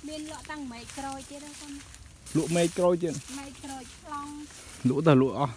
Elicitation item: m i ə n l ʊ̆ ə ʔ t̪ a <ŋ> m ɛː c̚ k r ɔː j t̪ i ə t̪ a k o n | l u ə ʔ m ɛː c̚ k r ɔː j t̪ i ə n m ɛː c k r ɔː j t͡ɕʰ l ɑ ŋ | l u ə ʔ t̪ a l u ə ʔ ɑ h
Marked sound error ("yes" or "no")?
no